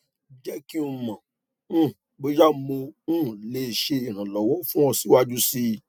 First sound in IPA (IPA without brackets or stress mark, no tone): d͡ʒ